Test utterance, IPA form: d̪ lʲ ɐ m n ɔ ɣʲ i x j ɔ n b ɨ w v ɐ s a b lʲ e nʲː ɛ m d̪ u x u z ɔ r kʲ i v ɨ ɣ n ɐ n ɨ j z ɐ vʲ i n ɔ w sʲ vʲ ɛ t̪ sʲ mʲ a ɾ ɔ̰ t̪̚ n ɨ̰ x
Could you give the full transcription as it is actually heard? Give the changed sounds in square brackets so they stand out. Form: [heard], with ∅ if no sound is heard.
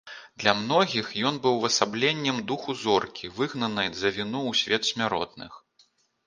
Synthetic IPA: d̪ lʲ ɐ m n ɔ ɣʲ i x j ɔ n b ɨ w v ɐ s a b lʲ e nʲː ɛ m d̪ u x u z ɔ r kʲ i v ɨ ɣ n ɐ n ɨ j z ɐ vʲ i n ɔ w sʲ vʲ ɛ t̪ sʲ mʲ a ɾ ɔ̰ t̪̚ n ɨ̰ x

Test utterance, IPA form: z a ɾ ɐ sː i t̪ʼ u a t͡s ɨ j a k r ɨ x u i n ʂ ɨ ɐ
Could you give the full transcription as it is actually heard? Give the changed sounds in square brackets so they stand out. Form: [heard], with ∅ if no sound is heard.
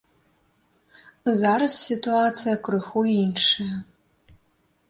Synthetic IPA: z a ɾ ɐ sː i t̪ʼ u a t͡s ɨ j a k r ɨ x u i n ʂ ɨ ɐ

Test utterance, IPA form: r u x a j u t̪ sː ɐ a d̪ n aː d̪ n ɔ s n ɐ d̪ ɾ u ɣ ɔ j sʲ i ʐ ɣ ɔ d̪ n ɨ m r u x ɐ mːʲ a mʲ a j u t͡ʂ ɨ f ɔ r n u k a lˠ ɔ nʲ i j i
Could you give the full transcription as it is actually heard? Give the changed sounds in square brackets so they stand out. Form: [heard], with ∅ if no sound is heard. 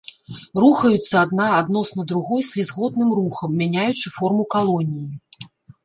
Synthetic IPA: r u x [ɐ] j u t̪ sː ɐ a d̪ n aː d̪ n ɔ s n ɐ d̪ ɾ u ɣ ɔ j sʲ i [z] ɣ ɔ d̪ n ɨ m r u x ɐ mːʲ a [nʲ] a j u t͡ʂ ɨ f ɔ r [m] u k a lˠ ɔ nʲ i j i

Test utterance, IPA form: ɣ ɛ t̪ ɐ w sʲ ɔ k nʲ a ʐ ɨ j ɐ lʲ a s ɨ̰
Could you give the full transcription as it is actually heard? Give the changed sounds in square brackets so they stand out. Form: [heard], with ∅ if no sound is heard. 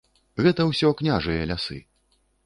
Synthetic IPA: ɣ ɛ t̪ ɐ w sʲ ɔ k nʲ a ʐ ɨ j ɐ lʲ a s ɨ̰

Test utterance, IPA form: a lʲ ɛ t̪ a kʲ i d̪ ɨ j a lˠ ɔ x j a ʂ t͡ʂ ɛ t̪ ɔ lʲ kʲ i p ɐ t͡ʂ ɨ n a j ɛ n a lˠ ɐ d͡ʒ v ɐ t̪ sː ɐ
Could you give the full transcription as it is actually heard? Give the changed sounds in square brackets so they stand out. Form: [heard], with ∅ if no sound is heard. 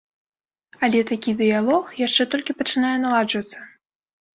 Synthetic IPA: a lʲ ɛ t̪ a kʲ i d̪ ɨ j a lˠ ɔ x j a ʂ t͡ʂ ɛ t̪ ɔ lʲ kʲ i p ɐ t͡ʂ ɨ n a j ɛ n a lˠ [a] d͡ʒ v ɐ t̪ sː ɐ

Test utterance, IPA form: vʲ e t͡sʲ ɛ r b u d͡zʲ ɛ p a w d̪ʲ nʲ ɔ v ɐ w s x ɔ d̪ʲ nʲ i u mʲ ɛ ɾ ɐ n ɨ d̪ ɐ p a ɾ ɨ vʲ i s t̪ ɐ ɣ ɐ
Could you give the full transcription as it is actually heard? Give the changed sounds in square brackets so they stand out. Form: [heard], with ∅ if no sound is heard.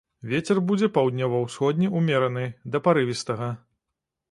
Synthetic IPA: vʲ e t͡sʲ ɛ r b u d͡zʲ ɛ p a w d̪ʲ nʲ ɔ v ɐ w s x ɔ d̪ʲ nʲ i u mʲ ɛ ɾ ɐ n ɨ d̪ ɐ p a ɾ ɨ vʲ i s t̪ ɐ ɣ ɐ

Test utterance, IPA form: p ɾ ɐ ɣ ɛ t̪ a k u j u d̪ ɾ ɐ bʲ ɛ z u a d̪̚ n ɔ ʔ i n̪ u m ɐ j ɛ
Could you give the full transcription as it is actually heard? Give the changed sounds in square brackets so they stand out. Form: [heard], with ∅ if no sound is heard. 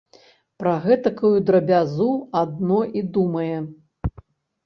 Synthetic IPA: p ɾ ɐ ɣ ɛ t̪ [ɐ] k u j u d̪ ɾ ɐ bʲ [a] z u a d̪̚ n ɔ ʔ i [d̪] u m ɐ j ɛ

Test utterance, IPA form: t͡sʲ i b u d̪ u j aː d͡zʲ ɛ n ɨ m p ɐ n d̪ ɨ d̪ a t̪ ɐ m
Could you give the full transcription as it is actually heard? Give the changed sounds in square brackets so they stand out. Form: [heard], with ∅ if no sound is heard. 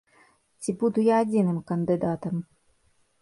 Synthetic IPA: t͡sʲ i b u d̪ u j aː d͡zʲ [i] n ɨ m [k] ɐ n d̪ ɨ d̪ a t̪ ɐ m

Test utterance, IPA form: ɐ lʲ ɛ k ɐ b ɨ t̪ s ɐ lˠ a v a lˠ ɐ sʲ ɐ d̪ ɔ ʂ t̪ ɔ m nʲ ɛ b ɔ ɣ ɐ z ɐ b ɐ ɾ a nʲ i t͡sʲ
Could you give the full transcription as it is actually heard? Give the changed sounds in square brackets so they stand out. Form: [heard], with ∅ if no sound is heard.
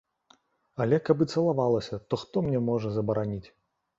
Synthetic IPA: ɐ lʲ ɛ k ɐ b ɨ t̪ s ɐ lˠ a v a lˠ ɐ sʲ ɐ [t̪] ɔ [x] t̪ ɔ m nʲ ɛ [m] ɔ [ʐ] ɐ z ɐ b ɐ ɾ a nʲ i t͡sʲ

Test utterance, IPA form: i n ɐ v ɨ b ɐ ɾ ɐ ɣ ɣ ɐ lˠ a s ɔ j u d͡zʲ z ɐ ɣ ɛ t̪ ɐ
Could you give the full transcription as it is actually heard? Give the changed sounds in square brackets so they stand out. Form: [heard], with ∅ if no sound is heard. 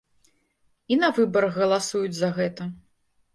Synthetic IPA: i n ɐ v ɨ b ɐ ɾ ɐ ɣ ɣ ɐ lˠ a s [u] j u d͡zʲ z ɐ ɣ ɛ t̪ ɐ

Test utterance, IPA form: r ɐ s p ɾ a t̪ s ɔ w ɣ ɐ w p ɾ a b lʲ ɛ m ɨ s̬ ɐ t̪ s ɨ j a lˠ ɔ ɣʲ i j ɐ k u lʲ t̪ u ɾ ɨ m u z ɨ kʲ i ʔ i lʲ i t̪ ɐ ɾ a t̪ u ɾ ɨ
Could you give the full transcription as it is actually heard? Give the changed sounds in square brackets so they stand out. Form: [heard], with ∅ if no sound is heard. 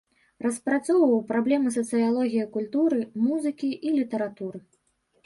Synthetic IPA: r ɐ s p ɾ a t̪ s ɔ w [v] ɐ w p ɾ a b lʲ ɛ m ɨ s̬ ɐ t̪ s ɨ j a lˠ ɔ ɣʲ i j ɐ k u lʲ t̪ u ɾ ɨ m u z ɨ kʲ i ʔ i lʲ i t̪ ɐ ɾ a t̪ u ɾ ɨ

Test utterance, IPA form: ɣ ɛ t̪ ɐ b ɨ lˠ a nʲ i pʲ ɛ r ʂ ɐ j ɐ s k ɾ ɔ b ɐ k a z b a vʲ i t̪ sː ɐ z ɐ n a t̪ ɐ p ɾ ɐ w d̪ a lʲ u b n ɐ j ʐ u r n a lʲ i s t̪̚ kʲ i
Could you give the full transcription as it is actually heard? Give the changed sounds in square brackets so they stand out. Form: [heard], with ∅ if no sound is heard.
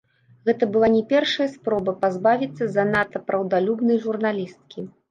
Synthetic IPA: ɣ ɛ t̪ ɐ b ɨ lˠ a nʲ [ɛ] pʲ ɛ r ʂ ɐ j ɐ s [p] ɾ ɔ b ɐ [p] a z b a vʲ i t̪ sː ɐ z ɐ n a t̪ ɐ p ɾ ɐ w d̪ a lʲ u b n ɐ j ʐ u r n a lʲ i s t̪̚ kʲ i

